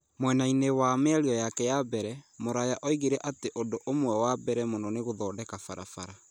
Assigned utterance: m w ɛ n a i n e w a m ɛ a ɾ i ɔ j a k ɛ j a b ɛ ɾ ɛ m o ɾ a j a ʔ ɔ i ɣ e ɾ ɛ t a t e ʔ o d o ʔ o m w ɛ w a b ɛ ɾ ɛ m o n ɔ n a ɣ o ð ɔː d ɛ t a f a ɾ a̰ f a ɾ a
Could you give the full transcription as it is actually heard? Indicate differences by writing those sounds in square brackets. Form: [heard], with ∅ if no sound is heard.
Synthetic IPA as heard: m w ɛ n a i n e w a m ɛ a ɾ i ɔ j a k ɛ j a b ɛ ɾ ɛ m o ɾ a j a ʔ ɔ i ɣ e ɾ ɛ [ʔ] a t e ʔ o d o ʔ o m w ɛ w a b ɛ ɾ ɛ m o n ɔ n [e] ɣ o ð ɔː d ɛ [k] a f a ɾ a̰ f a ɾ a